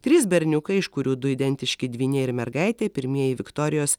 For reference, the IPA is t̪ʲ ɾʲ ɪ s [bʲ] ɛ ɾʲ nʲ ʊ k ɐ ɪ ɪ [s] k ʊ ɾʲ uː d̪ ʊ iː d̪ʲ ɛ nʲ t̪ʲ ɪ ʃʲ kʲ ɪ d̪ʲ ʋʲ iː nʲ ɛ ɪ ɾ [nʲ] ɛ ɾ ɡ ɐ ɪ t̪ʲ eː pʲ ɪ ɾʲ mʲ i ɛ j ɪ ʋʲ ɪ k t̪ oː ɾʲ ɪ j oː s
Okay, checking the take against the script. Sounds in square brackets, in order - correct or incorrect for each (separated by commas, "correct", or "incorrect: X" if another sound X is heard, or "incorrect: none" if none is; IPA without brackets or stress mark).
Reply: correct, incorrect: ʃ, incorrect: mʲ